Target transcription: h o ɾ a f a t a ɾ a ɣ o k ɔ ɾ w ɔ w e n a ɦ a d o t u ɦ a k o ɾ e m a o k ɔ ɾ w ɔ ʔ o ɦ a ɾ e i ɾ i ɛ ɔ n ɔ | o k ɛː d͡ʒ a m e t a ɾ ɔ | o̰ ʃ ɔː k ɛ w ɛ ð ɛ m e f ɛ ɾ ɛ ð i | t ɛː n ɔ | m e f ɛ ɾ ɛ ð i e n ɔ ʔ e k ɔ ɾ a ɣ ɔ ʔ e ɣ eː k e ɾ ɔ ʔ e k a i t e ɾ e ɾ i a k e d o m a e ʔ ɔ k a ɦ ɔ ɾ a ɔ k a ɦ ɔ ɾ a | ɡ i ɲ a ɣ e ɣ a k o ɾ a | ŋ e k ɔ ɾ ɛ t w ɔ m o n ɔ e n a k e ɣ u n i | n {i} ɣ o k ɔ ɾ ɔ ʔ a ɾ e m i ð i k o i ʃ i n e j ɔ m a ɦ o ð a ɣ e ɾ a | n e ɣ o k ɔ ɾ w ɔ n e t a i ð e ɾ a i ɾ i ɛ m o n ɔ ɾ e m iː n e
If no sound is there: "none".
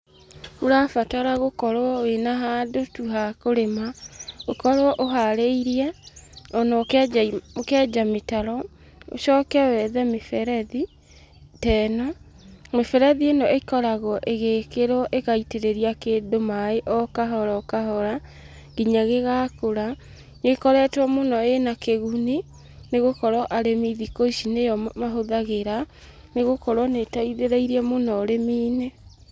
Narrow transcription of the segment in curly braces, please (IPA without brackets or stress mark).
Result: e